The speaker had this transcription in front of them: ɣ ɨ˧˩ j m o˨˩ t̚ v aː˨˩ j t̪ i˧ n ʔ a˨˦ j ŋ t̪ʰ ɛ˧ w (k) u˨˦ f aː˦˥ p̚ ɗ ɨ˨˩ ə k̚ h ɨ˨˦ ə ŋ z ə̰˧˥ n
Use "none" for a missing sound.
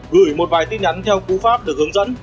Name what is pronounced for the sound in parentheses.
k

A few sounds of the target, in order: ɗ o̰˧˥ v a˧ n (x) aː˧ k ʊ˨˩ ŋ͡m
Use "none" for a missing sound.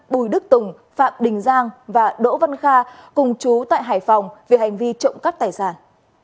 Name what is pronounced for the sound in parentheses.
x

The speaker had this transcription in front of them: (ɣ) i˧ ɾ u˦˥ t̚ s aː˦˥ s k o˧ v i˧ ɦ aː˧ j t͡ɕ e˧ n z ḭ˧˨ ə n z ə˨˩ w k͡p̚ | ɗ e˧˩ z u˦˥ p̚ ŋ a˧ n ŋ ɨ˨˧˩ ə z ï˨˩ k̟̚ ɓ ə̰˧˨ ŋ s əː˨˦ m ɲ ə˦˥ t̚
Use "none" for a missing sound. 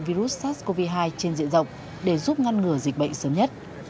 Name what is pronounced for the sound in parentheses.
v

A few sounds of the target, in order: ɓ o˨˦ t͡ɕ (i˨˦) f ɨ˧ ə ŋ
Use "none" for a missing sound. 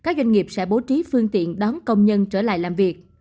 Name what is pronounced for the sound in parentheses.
i˨˦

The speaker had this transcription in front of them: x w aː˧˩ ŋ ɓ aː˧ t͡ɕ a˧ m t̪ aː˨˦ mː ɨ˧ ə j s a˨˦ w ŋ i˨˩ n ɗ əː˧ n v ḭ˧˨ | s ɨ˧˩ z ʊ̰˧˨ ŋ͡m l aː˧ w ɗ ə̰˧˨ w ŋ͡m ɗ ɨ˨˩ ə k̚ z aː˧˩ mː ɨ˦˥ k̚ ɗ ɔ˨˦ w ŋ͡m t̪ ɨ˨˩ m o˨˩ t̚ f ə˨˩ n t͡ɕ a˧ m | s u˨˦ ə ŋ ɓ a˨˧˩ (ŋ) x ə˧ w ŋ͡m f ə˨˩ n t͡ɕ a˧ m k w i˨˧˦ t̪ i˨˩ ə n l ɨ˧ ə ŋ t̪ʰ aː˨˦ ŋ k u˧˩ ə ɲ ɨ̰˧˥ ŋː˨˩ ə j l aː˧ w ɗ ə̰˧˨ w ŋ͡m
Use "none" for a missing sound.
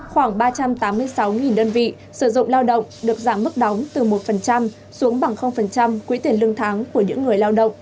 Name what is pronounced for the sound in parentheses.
ŋ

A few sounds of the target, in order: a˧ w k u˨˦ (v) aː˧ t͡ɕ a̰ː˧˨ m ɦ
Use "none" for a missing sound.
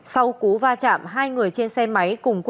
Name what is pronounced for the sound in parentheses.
v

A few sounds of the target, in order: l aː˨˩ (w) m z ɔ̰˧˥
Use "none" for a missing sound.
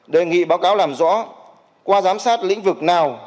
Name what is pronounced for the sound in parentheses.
none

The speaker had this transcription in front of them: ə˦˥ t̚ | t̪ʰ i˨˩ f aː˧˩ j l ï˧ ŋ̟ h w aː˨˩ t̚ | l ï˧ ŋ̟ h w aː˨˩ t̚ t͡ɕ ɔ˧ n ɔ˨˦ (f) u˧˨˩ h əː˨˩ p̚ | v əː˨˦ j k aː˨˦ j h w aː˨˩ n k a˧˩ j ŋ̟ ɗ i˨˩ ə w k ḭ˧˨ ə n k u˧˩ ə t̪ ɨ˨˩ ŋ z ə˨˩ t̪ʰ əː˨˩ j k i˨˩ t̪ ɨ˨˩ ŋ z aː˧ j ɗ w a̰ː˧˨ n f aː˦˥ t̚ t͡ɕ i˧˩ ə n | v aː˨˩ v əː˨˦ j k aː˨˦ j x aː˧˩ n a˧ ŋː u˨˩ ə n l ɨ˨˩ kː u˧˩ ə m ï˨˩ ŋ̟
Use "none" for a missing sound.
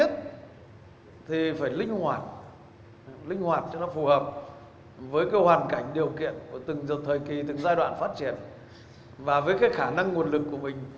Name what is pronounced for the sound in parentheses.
f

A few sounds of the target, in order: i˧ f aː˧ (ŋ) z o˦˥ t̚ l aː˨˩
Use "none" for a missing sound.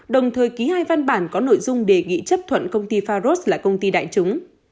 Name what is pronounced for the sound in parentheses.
none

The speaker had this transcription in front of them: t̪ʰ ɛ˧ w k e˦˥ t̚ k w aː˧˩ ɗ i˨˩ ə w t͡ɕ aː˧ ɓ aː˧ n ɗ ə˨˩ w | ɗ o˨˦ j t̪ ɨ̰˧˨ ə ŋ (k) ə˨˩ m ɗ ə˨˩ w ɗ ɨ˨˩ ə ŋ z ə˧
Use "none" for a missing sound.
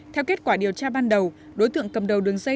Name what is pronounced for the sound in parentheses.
k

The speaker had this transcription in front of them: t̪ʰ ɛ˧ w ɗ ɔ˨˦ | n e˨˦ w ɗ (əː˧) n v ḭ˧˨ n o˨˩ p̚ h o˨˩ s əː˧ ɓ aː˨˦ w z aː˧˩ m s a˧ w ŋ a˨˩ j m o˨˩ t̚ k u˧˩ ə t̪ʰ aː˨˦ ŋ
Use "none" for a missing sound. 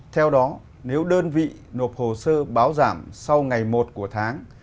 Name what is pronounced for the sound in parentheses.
əː˧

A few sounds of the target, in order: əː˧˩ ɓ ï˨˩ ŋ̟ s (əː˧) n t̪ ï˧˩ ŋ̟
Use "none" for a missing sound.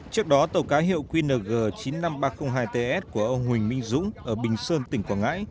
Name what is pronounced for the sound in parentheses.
əː˧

